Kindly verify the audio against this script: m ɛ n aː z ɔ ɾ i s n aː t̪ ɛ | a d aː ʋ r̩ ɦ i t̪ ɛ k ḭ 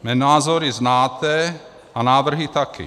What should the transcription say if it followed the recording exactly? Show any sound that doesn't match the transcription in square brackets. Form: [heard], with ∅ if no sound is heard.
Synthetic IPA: m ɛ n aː z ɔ ɾ i [z] n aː t̪ ɛ | a [n] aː ʋ r̩ ɦ i t̪ [a] k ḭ

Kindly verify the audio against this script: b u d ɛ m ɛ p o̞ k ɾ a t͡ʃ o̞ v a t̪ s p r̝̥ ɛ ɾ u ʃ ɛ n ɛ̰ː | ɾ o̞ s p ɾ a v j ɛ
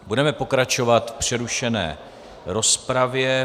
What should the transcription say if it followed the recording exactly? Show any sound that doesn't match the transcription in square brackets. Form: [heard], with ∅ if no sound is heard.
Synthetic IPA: b u d ɛ m ɛ p o̞ k ɾ a t͡ʃ o̞ v a t̪ [f] p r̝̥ ɛ ɾ u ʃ ɛ n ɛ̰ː | ɾ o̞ s p ɾ a v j ɛ

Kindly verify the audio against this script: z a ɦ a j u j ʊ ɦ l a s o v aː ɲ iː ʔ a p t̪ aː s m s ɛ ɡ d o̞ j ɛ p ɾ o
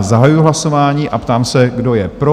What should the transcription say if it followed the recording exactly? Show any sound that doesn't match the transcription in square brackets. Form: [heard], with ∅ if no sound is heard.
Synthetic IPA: z a ɦ a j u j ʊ ɦ l a s o v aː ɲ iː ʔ a p t̪ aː [∅] m s ɛ ɡ d o̞ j ɛ p ɾ o

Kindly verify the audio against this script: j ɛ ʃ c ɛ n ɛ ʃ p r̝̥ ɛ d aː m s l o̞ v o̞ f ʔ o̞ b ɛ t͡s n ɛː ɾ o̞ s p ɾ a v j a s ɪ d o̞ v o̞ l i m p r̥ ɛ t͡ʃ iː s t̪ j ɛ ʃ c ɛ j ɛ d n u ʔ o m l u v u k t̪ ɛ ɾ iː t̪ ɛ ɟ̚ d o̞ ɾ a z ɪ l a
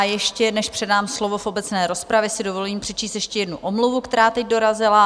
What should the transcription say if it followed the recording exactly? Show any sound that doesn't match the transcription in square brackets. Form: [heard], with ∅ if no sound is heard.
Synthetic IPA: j ɛ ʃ c ɛ n ɛ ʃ p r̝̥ ɛ d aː m s l o̞ v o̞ f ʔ o̞ b ɛ t͡s n ɛː ɾ o̞ s p ɾ a v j [ɛ] s ɪ d o̞ v o̞ l [iː] m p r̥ ɛ t͡ʃ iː s t̪ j ɛ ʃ c ɛ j ɛ d n u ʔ o m l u v u k t̪ ɛ ɾ [aː] t̪ ɛ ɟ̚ d o̞ ɾ a z ɪ l a

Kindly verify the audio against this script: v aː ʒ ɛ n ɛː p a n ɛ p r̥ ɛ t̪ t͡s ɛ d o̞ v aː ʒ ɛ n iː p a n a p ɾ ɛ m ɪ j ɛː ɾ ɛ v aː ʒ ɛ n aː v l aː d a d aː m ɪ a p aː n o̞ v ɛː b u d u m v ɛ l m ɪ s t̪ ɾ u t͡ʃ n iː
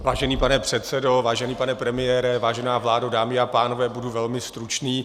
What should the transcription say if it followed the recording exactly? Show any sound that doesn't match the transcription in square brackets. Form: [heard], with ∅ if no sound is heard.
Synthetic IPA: v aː ʒ ɛ n [iː] p a n ɛ p r̥ ɛ t̪ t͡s ɛ d o̞ v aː ʒ ɛ n iː p a n [ɛ] p ɾ ɛ m ɪ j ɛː ɾ ɛ v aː ʒ ɛ n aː v l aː d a d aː m ɪ a p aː n o̞ v ɛː b u d u [∅] v ɛ l m ɪ s t̪ ɾ u t͡ʃ n iː

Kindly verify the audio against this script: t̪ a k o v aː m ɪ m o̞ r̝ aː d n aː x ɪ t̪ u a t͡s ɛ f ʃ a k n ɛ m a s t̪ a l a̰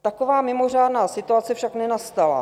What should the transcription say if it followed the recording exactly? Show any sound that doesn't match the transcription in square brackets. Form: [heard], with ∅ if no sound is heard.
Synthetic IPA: t̪ a k o v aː m ɪ m o̞ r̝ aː d n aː [s] ɪ t̪ u a t͡s ɛ f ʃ a k n ɛ [n] a s t̪ a l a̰

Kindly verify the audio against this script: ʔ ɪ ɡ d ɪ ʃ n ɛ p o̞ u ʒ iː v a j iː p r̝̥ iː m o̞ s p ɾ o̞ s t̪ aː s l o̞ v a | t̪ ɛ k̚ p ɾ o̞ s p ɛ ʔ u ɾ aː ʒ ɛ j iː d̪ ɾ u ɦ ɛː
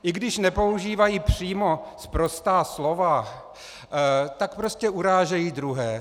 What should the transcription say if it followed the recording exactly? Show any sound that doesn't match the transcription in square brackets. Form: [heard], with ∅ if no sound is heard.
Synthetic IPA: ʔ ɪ ɡ d ɪ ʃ n ɛ p o̞ u ʒ iː v a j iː p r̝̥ iː m o̞ s p ɾ o̞ s t̪ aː s l o̞ v a | t̪ [a] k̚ p ɾ o̞ s [c] ɛ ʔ u ɾ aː ʒ ɛ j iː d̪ ɾ u ɦ ɛː

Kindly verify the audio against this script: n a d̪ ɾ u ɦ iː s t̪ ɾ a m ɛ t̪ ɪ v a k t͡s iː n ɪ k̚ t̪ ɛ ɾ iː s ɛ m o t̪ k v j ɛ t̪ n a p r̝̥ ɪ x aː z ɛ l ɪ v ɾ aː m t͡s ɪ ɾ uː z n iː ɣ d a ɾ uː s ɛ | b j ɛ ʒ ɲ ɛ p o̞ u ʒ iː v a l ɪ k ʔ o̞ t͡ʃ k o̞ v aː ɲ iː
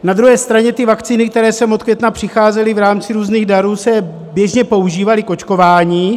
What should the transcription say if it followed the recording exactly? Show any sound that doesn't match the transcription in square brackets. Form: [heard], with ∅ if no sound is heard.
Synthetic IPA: n a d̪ ɾ u ɦ [ɛː] s t̪ ɾ a [ɲ] ɛ t̪ ɪ v a k t͡s iː n ɪ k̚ t̪ ɛ ɾ [ɛː] s ɛ m o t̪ k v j ɛ t̪ n a p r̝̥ ɪ x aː z ɛ l ɪ v ɾ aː m t͡s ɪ ɾ uː z n iː ɣ d a ɾ uː s ɛ | b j ɛ ʒ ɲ ɛ p o̞ u ʒ iː v a l ɪ k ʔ o̞ t͡ʃ k o̞ v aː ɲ iː

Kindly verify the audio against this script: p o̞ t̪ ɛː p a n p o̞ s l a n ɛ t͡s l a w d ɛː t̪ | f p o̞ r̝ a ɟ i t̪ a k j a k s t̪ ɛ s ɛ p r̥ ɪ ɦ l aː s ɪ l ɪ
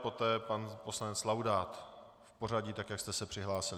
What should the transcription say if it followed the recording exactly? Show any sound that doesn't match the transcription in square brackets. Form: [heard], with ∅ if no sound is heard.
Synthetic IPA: p o̞ t̪ ɛː p a n p o̞ s l a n ɛ t͡s l a w d [aː] t̪ | f p o̞ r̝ a ɟ i t̪ a k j a k s t̪ ɛ s ɛ p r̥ ɪ ɦ l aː s ɪ l ɪ

